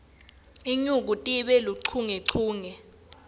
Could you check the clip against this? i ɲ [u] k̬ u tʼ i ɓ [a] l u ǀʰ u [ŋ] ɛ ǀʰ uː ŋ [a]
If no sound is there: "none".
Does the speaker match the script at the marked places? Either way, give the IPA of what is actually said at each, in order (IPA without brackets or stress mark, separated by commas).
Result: u, ɛ, ŋ, ɛ